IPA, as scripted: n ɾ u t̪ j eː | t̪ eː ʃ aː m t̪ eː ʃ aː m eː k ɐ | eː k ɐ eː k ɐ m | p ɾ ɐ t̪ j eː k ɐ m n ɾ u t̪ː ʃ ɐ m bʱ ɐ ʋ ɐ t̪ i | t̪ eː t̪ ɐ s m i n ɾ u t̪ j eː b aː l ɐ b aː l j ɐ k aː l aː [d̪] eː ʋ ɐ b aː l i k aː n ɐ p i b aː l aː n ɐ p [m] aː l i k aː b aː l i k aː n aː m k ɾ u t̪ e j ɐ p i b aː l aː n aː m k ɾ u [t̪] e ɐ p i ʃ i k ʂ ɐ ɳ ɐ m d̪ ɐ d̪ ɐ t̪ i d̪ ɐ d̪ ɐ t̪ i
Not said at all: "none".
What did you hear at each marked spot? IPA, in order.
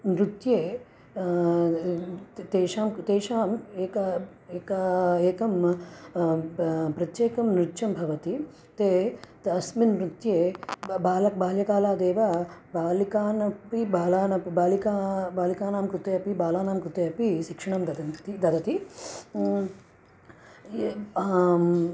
d̪, b, t̪

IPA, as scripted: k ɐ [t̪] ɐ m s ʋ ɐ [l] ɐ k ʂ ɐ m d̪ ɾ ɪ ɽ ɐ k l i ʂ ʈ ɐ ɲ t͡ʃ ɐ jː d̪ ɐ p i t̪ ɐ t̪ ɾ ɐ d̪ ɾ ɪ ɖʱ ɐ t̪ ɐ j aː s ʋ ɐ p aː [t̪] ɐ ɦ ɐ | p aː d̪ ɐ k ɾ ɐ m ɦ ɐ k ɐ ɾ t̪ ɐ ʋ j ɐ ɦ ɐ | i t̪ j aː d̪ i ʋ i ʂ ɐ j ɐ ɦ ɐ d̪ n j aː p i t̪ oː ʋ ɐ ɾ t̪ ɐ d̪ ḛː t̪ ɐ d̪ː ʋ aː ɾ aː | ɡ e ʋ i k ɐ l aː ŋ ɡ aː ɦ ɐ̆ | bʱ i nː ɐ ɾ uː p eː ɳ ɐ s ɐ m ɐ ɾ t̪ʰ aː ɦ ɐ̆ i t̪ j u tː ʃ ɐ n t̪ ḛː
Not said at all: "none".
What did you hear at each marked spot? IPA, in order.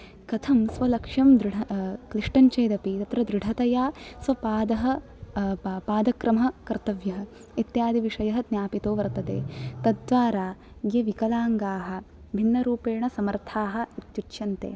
t̪ʰ, l, d̪

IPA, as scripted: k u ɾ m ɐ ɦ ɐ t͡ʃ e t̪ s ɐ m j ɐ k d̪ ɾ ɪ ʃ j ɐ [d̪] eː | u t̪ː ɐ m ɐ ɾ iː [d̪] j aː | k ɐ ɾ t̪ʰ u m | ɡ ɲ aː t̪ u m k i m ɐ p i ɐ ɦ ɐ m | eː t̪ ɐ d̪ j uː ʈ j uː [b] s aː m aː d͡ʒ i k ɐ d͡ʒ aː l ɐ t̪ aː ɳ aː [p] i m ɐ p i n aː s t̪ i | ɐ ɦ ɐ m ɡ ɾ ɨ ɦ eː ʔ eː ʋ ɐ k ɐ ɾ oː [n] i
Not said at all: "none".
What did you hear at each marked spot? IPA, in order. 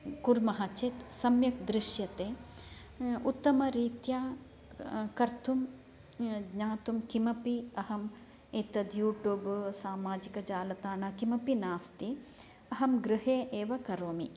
t̪, t̪, b, k, m

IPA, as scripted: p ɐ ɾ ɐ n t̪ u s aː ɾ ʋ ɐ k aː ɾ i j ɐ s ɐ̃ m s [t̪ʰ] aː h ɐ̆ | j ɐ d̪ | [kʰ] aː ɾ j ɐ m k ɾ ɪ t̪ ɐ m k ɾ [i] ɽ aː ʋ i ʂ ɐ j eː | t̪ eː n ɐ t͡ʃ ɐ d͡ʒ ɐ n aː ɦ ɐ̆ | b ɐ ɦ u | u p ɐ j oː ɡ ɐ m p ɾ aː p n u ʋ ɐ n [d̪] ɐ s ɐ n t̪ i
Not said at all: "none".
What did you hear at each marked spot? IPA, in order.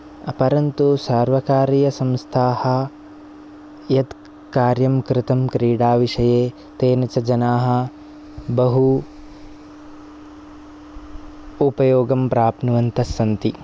t̪ʰ, k, iː, t̪

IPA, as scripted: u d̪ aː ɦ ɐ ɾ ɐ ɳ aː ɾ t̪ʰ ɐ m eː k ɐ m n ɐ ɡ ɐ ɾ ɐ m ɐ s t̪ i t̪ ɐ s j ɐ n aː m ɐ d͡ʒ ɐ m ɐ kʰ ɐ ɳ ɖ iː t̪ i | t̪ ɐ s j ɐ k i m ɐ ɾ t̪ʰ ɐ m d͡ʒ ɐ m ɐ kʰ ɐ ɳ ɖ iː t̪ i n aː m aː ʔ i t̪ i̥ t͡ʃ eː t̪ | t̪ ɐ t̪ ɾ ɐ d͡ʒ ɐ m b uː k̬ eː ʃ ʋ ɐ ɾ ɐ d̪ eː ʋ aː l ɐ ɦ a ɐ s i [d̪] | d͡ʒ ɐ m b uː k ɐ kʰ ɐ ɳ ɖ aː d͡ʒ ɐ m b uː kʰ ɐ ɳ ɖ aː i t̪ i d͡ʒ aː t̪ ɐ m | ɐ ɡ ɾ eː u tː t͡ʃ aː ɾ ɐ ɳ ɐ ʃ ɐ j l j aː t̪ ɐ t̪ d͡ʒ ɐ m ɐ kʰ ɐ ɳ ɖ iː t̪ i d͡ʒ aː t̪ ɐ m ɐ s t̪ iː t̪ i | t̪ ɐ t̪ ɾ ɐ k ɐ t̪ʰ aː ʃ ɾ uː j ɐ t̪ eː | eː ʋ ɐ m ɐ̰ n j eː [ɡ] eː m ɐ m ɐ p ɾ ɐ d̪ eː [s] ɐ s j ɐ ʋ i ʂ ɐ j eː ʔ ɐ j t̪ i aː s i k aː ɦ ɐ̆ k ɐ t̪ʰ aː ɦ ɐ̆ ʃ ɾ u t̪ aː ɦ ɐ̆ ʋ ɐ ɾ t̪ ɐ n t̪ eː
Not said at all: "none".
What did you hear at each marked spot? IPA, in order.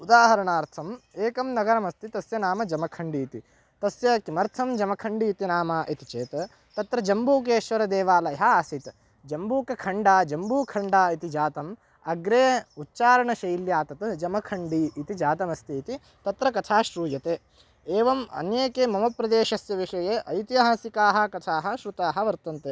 t̪, k, ʃ

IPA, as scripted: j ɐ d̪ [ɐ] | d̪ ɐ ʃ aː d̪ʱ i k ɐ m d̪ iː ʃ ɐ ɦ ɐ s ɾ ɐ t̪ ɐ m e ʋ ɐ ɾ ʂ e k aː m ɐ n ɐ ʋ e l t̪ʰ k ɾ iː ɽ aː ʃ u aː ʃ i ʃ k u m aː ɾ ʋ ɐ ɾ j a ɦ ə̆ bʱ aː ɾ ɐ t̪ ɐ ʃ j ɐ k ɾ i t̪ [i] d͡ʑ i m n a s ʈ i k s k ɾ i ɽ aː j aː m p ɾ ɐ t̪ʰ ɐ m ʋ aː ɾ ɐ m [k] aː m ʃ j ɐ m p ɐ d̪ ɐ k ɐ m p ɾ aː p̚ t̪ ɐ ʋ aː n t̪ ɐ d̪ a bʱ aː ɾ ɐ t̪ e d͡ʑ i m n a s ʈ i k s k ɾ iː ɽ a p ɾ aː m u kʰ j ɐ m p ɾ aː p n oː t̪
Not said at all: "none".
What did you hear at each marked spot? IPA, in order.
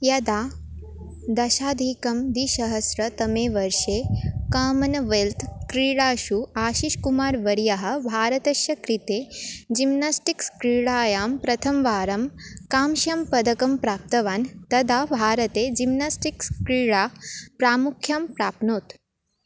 a, e, k

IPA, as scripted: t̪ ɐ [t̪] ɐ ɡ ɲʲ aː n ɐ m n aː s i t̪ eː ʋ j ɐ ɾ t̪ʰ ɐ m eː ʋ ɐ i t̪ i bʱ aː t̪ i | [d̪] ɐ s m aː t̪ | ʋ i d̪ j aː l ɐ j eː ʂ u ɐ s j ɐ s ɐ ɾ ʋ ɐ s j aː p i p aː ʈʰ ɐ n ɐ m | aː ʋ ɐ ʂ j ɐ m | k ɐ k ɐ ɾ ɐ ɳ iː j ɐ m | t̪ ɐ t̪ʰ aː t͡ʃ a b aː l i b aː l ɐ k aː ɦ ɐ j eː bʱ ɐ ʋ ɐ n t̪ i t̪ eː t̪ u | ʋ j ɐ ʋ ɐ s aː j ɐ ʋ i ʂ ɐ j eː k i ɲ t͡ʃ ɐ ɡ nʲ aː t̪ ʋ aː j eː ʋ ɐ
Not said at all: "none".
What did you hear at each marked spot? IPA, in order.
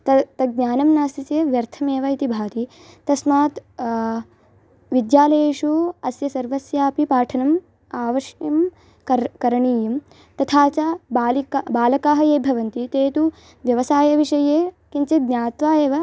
t̪, t̪

